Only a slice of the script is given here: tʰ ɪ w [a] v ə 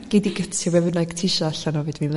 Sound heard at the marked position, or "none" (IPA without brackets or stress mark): ɛ